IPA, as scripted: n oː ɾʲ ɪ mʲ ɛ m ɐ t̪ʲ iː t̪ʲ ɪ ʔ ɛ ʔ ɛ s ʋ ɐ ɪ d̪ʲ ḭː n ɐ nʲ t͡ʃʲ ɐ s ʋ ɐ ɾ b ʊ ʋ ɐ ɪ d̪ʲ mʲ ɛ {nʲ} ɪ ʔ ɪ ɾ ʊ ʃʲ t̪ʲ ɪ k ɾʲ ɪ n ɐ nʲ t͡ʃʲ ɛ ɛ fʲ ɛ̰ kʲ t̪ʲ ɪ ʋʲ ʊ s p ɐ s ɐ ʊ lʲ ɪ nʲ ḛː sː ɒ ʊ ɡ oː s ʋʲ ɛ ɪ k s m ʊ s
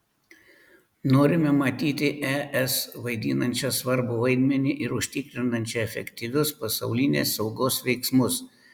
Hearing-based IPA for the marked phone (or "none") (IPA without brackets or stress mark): nʲ